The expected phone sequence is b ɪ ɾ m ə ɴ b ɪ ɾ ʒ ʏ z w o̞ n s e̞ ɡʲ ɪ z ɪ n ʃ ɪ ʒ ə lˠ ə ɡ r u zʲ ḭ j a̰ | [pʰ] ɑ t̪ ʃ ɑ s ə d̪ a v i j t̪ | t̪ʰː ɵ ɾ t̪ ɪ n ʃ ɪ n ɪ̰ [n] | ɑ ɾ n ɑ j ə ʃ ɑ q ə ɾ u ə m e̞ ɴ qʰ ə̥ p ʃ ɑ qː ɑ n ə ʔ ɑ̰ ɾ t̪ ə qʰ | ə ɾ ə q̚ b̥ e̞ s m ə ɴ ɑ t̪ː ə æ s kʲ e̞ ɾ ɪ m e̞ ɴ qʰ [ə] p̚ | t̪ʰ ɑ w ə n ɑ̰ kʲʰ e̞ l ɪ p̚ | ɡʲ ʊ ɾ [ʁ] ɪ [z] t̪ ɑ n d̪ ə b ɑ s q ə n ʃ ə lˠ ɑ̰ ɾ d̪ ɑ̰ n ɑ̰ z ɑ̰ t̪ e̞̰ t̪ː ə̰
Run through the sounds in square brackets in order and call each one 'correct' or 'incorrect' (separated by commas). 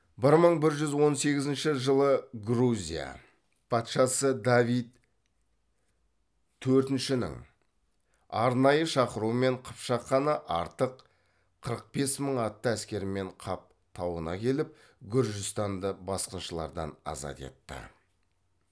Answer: correct, incorrect, incorrect, incorrect, incorrect